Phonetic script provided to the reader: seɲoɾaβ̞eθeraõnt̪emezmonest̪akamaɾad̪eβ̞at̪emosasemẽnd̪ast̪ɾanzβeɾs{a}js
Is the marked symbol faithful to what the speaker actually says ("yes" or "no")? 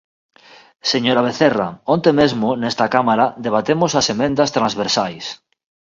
yes